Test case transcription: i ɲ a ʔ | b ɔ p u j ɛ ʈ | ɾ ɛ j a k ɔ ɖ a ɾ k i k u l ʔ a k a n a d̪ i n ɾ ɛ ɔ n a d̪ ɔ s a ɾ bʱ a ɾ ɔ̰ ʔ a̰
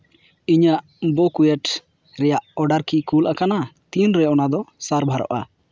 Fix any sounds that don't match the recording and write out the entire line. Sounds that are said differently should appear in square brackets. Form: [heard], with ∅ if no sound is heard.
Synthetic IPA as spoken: i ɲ a ʔ | b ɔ [k] u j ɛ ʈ | ɾ ɛ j a [ʔ] ɔ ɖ a ɾ k i k u l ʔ a k a n a [t̪] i n ɾ ɛ ɔ n a d̪ ɔ s a ɾ bʱ a ɾ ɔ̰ ʔ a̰